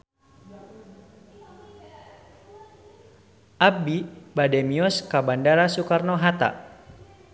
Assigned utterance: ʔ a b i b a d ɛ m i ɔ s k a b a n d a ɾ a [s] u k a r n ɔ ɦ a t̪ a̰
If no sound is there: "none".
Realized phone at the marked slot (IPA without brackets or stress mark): s